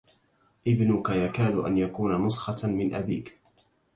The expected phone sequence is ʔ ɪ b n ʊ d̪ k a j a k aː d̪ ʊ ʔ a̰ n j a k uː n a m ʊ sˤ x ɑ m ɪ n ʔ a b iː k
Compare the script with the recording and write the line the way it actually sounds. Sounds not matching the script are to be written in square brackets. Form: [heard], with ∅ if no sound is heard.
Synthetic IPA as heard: ʔ ɪ b n ʊ [∅] k a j a k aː d̪ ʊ ʔ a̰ n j a k uː n a [n] ʊ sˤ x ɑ m ɪ n ʔ a b iː k